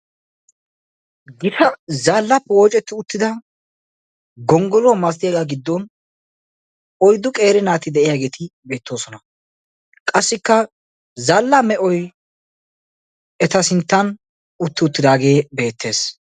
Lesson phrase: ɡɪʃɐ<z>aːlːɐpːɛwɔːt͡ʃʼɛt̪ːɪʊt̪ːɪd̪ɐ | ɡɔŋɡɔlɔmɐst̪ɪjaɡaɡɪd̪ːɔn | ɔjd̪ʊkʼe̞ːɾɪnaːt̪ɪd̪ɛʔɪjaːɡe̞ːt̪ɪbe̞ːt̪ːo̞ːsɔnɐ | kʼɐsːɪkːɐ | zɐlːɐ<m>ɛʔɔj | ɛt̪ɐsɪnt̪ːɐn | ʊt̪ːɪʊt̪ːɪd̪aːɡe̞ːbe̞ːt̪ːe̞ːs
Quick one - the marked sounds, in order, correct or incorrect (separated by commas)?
correct, correct